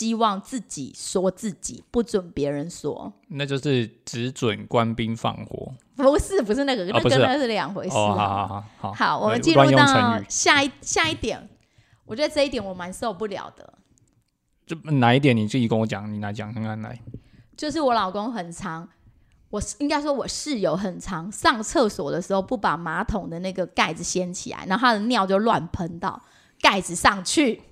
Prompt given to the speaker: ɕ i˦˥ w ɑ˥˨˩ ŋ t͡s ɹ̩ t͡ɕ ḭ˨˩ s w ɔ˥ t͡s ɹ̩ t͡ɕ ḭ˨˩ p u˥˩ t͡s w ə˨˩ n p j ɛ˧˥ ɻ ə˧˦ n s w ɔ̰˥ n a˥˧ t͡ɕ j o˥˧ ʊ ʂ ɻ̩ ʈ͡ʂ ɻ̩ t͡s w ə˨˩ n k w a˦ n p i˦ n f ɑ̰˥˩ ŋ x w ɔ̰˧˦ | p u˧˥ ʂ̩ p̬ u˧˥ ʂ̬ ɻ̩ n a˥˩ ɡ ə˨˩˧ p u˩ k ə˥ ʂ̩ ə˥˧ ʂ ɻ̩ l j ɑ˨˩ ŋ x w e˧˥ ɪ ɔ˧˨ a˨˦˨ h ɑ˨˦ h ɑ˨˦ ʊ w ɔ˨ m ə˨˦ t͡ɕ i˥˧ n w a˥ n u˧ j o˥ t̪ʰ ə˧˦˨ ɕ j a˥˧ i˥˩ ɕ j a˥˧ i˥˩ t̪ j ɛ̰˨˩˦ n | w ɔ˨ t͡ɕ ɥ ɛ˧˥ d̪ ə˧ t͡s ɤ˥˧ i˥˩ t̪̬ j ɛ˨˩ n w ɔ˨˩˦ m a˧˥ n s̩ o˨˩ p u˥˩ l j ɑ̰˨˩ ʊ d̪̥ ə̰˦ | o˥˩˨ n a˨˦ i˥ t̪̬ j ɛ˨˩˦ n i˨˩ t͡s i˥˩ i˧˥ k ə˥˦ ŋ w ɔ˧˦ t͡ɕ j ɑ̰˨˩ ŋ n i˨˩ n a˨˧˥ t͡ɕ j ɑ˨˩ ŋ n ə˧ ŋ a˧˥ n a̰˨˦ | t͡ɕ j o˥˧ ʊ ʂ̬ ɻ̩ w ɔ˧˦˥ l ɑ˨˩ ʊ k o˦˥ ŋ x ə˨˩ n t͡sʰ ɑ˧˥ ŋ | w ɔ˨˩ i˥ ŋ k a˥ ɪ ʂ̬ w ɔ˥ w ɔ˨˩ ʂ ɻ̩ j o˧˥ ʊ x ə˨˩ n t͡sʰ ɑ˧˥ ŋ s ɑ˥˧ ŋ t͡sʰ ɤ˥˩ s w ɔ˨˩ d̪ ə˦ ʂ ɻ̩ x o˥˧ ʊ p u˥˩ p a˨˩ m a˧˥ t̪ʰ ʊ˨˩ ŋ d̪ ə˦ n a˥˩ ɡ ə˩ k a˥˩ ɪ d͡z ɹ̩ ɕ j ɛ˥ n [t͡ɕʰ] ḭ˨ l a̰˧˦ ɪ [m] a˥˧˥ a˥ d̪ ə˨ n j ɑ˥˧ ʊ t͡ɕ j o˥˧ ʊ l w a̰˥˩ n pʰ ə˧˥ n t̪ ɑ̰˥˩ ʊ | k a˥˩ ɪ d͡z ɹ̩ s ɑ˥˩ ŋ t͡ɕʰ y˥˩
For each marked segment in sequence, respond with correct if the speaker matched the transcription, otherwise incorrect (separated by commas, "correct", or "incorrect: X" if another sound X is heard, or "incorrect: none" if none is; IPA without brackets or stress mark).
correct, incorrect: n